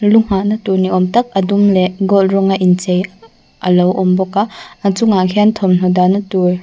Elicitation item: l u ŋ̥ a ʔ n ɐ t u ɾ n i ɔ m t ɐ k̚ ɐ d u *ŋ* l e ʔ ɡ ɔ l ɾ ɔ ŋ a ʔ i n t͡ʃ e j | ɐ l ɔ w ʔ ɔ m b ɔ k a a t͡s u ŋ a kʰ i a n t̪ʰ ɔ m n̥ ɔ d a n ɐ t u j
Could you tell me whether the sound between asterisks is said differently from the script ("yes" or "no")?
yes